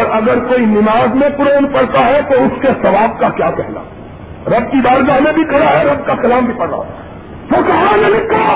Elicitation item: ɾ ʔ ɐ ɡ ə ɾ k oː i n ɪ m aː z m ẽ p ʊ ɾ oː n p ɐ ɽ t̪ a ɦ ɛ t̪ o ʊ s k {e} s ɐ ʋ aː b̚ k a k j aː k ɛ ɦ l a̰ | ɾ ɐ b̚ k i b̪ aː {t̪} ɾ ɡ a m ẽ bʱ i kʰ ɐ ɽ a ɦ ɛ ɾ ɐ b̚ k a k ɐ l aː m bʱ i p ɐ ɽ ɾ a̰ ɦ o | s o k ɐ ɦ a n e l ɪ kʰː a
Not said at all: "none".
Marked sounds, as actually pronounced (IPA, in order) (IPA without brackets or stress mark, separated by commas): e, none